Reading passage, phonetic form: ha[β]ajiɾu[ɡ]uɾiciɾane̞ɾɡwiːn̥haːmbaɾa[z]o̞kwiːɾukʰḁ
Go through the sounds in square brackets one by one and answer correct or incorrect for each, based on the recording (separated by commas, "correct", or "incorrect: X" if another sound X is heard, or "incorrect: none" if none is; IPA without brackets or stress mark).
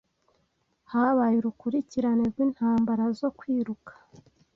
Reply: correct, incorrect: k, correct